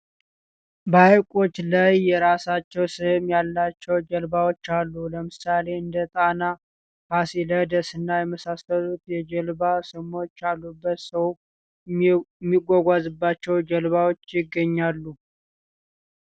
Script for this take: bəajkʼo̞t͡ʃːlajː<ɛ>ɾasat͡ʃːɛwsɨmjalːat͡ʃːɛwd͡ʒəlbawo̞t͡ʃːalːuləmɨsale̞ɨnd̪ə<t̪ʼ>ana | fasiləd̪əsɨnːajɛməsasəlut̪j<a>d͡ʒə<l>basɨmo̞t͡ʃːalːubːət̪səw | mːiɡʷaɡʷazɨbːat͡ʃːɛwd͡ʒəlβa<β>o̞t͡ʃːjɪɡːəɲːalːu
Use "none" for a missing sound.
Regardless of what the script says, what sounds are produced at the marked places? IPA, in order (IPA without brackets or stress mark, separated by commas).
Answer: ɛ, t̪ʼ, ɛ, l, w